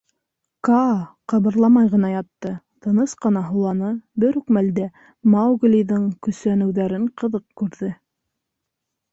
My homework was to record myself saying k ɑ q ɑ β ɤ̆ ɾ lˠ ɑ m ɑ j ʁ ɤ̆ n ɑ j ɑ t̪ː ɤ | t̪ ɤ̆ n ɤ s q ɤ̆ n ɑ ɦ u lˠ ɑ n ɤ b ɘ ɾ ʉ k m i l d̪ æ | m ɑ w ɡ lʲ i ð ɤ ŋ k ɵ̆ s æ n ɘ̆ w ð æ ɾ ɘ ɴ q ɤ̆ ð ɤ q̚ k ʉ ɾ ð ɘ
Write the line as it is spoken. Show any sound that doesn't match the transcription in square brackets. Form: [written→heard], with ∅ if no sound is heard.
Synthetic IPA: k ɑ q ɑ β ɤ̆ ɾ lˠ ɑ m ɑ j ʁ ɤ̆ n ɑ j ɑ t̪ː ɤ | t̪ ɤ̆ n ɤ s q ɤ̆ n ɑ ɦ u lˠ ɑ n ɤ b ɘ ɾ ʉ k m [i→æ] l d̪ æ | m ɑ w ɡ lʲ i ð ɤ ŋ k ɵ̆ s æ n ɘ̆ w ð æ ɾ ɘ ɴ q ɤ̆ ð ɤ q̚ k ʉ ɾ ð ɘ